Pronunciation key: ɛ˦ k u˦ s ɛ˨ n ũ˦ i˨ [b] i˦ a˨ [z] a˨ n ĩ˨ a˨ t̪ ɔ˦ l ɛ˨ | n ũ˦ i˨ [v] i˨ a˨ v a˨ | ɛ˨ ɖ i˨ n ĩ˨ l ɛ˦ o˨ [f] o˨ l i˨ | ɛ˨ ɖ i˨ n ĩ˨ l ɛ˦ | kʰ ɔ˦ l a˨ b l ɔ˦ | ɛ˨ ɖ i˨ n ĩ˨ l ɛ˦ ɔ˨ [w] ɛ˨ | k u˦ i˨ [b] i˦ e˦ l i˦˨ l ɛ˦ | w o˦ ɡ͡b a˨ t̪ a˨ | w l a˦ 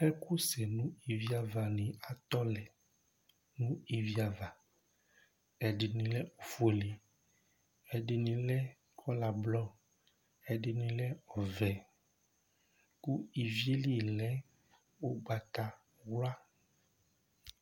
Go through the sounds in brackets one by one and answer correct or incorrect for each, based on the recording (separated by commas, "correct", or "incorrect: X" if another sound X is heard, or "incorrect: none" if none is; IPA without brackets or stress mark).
incorrect: v, incorrect: v, correct, correct, incorrect: v, incorrect: v